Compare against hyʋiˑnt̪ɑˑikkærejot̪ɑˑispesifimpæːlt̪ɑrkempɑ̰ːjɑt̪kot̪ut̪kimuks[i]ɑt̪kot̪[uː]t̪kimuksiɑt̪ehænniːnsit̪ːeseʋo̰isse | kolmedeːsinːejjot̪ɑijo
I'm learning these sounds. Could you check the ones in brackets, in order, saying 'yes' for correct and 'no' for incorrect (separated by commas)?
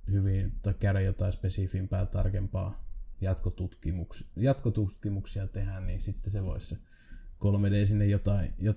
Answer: no, no